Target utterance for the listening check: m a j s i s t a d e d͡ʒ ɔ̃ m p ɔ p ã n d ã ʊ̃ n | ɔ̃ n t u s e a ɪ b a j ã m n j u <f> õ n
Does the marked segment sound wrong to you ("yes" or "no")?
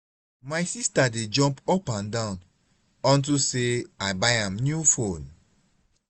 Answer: no